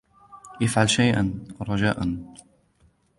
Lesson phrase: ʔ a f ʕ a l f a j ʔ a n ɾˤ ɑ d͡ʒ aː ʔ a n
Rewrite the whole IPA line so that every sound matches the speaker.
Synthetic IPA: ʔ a f ʕ a l ʃ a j ʔ a n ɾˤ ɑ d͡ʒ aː ʔ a n